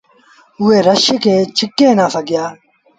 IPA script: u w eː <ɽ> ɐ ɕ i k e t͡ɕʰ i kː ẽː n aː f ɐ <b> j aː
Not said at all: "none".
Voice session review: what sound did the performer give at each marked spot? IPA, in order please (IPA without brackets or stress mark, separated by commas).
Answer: ɾ, ɡ